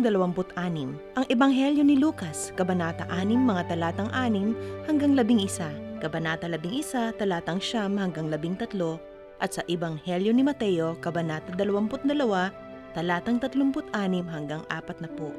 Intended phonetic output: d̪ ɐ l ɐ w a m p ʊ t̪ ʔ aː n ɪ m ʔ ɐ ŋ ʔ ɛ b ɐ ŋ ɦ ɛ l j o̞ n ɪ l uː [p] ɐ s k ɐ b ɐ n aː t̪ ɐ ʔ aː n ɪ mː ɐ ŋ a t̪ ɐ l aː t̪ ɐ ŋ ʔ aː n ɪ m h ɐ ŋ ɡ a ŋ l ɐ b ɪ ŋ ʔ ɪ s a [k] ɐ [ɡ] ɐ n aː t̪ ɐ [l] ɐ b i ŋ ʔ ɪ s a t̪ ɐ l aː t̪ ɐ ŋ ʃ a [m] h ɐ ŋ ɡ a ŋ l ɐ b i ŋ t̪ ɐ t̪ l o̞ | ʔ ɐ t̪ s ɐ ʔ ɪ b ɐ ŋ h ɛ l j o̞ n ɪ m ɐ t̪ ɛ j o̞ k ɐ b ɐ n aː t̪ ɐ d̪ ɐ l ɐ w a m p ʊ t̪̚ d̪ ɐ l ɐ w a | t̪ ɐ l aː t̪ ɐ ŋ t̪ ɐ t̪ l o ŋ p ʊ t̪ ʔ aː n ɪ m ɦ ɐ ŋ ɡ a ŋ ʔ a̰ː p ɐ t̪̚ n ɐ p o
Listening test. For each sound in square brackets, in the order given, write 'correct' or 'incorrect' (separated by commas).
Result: incorrect, correct, incorrect, correct, correct